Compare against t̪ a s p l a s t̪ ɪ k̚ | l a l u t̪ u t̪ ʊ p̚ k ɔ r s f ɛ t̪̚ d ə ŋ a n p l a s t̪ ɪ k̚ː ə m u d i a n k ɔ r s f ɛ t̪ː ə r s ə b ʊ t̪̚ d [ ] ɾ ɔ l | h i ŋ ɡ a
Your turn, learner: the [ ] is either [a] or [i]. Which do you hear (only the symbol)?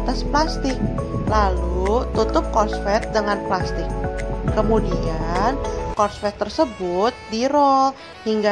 i